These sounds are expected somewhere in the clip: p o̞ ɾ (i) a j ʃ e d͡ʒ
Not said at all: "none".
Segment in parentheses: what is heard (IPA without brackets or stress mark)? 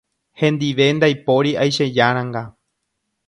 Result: i